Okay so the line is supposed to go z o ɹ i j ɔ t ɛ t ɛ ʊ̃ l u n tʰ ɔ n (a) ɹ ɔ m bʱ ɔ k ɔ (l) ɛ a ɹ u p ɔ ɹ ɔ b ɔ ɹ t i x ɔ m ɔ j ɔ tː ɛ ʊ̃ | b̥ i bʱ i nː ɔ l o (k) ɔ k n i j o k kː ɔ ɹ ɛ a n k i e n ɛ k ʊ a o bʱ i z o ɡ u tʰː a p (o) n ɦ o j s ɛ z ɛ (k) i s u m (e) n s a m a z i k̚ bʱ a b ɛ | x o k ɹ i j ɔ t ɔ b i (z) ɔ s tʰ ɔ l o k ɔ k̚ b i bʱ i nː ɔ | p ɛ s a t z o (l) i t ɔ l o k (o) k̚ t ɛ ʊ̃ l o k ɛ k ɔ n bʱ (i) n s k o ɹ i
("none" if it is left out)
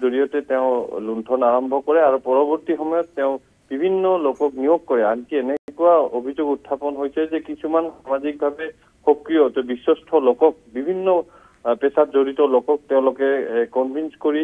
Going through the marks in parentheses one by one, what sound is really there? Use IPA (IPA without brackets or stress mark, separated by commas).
a, ɹ, k, ɔ, k, a, s, ɹ, ɔ, i